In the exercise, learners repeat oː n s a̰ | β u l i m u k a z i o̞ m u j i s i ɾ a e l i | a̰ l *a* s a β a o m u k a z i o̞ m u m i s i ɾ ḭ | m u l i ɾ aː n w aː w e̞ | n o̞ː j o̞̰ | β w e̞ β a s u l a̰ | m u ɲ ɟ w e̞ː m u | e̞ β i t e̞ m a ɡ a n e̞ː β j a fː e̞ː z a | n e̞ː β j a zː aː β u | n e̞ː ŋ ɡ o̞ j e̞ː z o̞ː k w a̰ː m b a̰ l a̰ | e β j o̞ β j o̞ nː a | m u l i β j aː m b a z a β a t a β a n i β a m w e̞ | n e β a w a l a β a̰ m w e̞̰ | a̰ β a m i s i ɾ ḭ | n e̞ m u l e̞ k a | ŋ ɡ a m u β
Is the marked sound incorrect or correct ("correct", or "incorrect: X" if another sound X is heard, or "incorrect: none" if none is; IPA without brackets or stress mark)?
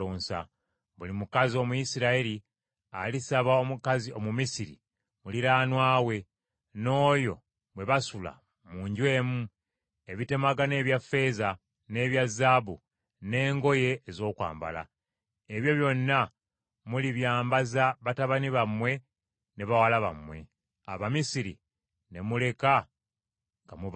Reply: incorrect: i